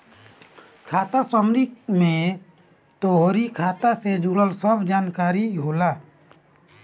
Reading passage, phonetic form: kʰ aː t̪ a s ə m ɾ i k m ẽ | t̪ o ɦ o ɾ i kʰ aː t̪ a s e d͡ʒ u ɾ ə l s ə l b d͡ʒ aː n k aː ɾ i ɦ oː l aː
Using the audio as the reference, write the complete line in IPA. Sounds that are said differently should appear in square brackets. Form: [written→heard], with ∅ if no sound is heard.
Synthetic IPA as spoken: kʰ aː t̪ a s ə m ɾ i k m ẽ | t̪ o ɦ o ɾ i kʰ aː t̪ a s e d͡ʒ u [ɾ→ɽ] ə l s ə [l→∅] b d͡ʒ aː n k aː ɾ i ɦ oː l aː